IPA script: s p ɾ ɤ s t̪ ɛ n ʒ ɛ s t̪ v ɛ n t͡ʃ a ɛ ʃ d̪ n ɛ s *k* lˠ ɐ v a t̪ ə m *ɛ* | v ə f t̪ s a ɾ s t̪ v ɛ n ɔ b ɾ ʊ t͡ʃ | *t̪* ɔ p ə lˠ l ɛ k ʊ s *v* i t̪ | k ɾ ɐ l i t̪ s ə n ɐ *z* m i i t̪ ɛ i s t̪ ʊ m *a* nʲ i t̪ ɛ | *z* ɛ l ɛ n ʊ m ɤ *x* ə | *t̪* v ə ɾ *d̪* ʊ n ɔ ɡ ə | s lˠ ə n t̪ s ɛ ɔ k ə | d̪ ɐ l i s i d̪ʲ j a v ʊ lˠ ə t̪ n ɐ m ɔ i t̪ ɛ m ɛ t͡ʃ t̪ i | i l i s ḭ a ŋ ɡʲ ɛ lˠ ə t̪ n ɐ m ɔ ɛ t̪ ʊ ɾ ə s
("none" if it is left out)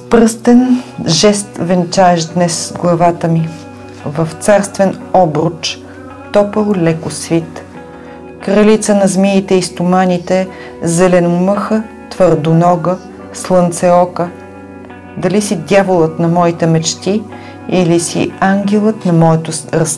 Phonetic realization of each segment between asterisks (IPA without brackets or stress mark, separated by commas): ɡ, i, t̪, v, z, a, z, x, t̪, d̪